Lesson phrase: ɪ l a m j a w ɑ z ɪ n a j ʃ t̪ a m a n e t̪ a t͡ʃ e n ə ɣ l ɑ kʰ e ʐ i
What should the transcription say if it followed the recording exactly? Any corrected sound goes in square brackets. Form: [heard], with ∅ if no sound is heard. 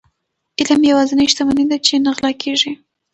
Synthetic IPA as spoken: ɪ l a m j a w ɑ z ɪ n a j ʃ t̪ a m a n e [d̪] a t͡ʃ e n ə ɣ l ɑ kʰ e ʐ i